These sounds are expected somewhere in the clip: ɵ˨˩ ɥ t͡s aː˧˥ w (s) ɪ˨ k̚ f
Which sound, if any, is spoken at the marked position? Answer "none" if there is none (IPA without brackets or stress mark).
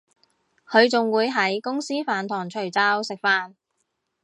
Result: s